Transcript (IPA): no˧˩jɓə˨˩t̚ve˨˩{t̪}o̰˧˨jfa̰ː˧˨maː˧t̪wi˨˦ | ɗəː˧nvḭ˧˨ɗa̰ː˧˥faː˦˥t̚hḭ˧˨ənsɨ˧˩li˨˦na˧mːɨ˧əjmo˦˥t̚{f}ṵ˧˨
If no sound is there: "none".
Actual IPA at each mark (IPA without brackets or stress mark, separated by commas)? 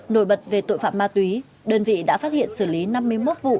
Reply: t̪, v